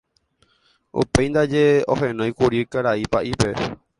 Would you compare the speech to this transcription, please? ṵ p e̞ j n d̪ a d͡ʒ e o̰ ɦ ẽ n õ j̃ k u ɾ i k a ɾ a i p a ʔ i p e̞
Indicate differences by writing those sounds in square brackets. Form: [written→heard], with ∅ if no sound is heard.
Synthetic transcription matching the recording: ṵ p e̞ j n d̪ a d͡ʒ e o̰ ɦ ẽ n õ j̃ k u ɾ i k a ɾ a i p a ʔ i p e̞